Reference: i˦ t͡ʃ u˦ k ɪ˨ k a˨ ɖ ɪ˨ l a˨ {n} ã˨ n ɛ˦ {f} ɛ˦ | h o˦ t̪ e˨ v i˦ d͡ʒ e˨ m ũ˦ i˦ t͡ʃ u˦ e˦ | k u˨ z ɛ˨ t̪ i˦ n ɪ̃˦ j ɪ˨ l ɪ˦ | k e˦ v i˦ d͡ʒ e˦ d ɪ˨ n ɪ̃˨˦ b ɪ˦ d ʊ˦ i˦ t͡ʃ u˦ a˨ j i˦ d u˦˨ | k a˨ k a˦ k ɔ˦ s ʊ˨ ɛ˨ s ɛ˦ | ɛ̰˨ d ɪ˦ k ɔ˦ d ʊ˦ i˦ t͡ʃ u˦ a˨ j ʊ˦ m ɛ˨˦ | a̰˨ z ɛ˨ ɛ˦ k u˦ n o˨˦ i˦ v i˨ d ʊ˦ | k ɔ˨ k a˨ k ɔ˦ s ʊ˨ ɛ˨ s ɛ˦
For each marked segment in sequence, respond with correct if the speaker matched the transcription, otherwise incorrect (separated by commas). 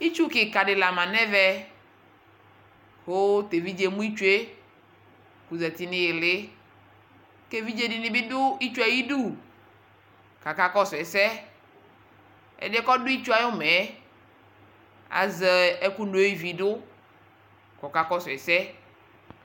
incorrect, incorrect